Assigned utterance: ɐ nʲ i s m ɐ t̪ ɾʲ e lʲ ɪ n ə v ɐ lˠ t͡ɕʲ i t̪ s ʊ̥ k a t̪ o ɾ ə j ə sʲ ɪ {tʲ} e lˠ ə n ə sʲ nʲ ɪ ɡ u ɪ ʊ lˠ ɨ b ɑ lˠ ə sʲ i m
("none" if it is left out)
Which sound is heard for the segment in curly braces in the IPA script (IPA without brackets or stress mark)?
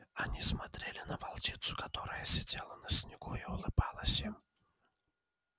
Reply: dʲ